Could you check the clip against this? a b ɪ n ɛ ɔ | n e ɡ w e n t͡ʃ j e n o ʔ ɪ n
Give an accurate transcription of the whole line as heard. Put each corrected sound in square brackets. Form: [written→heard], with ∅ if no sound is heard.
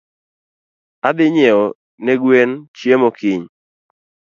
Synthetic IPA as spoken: a b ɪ [n→ɲ] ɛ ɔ | n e ɡ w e n t͡ʃ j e [n→m] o [ʔ→k] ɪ [n→ɲ]